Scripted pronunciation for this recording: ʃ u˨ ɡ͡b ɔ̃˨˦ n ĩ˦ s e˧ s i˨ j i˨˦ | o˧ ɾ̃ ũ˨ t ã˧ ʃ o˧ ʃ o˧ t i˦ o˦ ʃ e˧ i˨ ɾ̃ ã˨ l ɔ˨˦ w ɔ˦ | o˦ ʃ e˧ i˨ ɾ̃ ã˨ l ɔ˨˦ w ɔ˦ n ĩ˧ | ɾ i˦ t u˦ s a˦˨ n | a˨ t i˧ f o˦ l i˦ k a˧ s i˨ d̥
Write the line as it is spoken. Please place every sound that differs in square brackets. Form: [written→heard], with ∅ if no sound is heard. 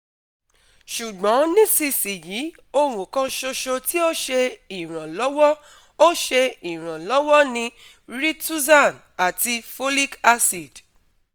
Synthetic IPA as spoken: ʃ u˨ ɡ͡b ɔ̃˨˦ n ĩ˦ s [e˧→i˧] s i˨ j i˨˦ | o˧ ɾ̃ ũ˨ [t→k] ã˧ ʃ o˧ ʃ o˧ t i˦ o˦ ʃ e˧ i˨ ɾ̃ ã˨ l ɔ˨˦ w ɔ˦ | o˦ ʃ e˧ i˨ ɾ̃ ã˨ l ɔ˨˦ w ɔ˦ n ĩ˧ | ɾ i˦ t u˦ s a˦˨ n | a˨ t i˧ f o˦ l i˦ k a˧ s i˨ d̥

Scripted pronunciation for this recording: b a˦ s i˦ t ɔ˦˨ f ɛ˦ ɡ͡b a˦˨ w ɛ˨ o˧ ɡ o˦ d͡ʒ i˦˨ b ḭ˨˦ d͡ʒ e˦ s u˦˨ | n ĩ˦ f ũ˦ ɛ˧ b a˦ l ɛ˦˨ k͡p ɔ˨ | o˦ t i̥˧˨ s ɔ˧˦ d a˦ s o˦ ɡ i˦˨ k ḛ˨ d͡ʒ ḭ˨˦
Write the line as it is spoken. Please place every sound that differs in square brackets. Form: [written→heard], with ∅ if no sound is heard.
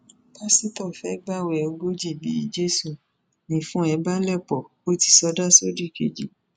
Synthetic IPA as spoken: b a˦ s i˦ t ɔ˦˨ f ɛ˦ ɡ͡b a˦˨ w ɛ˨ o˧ ɡ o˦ d͡ʒ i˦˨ b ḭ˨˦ d͡ʒ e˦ s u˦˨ | n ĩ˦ f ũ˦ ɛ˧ b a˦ l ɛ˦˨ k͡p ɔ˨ | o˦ t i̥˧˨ s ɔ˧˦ d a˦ s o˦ [ɡ→d] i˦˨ k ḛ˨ d͡ʒ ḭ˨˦

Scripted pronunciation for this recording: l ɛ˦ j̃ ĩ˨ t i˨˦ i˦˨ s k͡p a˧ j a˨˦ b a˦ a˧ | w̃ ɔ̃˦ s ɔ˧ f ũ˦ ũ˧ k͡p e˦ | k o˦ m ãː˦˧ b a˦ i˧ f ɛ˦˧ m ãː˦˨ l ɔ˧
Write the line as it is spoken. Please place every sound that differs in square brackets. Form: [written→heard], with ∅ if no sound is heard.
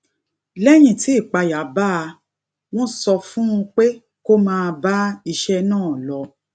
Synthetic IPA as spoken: l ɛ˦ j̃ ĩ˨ t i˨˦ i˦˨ [s→∅] k͡p a˧ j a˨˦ b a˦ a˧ | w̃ ɔ̃˦ s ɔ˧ f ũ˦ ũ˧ k͡p e˦ | k o˦ m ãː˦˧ b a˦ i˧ [f→ʃ] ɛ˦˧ [m→n] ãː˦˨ l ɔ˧

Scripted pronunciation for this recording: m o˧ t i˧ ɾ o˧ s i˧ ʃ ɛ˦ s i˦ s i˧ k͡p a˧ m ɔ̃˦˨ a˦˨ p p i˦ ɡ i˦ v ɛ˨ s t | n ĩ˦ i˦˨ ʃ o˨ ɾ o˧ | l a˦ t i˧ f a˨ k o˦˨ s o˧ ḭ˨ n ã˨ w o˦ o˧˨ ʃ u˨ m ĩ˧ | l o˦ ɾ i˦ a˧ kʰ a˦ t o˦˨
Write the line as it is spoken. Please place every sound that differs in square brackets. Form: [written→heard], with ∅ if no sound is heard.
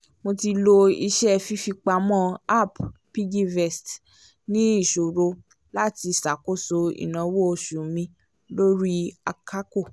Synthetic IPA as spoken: m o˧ t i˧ [ɾ→l] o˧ [s→∅] i˧ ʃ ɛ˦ [s→f] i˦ [s→f] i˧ k͡p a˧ m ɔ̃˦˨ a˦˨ p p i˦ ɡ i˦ v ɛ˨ s t | n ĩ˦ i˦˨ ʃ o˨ ɾ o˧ | l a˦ t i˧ [f→s] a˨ k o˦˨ s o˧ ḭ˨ n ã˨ w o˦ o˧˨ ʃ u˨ m ĩ˧ | l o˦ ɾ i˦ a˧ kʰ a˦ [t→k] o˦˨

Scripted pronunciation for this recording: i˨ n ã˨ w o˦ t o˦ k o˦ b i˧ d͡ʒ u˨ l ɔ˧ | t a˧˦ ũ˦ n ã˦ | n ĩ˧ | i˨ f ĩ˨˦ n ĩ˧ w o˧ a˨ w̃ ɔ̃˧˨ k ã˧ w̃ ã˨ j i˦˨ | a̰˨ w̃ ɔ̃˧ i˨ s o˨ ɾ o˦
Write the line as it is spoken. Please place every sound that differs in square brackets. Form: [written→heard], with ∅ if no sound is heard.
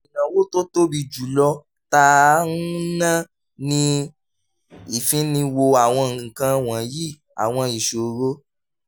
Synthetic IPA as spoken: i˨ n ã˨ w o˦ t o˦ [k→t] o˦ b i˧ d͡ʒ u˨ l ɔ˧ | t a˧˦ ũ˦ n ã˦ | n ĩ˧ | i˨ f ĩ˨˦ n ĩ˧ w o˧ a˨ w̃ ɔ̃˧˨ k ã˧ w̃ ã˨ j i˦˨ | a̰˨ w̃ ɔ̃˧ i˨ [s→ʃ] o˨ ɾ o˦

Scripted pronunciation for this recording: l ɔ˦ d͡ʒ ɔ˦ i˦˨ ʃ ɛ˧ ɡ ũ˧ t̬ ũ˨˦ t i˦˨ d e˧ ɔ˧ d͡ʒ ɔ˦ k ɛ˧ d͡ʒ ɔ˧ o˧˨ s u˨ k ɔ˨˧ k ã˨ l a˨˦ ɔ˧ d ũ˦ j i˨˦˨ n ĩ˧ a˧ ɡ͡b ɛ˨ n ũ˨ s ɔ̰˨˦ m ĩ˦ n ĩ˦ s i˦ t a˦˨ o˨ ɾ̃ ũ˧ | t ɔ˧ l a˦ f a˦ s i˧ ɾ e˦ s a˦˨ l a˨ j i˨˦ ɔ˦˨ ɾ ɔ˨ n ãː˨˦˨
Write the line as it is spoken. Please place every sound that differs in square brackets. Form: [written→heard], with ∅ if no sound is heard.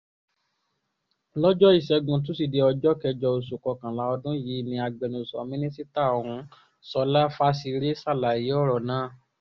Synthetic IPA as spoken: l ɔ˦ d͡ʒ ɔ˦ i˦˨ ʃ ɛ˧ ɡ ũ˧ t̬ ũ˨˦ [t→s] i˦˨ d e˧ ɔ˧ d͡ʒ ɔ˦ k ɛ˧ d͡ʒ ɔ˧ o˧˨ s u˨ k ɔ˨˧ k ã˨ l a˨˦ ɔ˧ d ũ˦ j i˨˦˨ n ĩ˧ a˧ ɡ͡b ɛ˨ n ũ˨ s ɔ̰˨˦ m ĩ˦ n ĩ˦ s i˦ t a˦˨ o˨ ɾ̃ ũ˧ | [t→s] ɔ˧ l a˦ f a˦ s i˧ ɾ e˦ s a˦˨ l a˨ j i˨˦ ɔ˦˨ ɾ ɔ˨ n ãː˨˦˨

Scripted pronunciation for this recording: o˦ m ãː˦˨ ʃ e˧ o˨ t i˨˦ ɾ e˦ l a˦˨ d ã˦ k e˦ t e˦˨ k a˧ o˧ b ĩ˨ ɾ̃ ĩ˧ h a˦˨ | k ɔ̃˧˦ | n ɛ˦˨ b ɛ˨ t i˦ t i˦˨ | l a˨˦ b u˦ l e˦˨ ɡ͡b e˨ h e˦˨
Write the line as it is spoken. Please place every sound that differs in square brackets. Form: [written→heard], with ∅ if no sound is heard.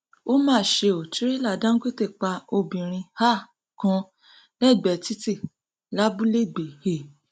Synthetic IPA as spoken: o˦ m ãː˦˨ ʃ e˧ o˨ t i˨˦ ɾ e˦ l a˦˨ d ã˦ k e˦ t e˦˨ [k→k͡p] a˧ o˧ b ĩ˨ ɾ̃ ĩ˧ h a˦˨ | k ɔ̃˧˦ | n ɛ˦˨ [b→ɡ͡b] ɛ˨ t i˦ t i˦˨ | l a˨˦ b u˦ l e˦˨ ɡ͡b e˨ h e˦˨

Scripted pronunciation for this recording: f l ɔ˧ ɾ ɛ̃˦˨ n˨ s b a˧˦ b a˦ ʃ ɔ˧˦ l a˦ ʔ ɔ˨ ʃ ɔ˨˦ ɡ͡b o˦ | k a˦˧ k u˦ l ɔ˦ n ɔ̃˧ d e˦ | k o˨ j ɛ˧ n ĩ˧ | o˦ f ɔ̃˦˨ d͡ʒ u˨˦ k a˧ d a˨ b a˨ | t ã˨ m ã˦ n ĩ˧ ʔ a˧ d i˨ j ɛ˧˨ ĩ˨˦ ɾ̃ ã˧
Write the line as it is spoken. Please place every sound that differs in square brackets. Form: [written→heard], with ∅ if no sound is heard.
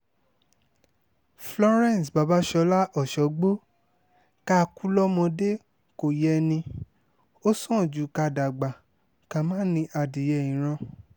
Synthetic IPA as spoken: f l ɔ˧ ɾ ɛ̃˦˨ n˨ s b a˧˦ b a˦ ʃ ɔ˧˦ l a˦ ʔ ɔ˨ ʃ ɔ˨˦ ɡ͡b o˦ | k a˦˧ k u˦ l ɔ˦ [n→m] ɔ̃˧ d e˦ | k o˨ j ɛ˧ n ĩ˧ | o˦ [f→s] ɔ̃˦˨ d͡ʒ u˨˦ k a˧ d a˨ [b→ɡ͡b] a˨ | [t→k] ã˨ m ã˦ n ĩ˧ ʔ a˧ d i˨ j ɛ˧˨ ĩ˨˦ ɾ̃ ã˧

